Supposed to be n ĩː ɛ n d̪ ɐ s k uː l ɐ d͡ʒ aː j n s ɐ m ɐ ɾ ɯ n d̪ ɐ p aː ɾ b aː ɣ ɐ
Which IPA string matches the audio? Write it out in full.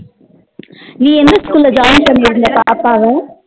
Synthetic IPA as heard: n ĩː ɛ n d̪ ɐ s k uː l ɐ d͡ʒ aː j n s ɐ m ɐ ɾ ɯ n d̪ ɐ p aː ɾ p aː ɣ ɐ